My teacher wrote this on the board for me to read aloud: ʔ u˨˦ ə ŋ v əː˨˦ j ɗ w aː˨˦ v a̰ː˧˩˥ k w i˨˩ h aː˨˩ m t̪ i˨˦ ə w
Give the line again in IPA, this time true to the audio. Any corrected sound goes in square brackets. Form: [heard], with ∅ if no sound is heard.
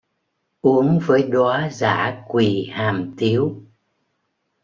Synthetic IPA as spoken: ʔ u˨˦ ə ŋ v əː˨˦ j ɗ w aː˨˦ [z] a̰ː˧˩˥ k w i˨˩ h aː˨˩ m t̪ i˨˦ ə w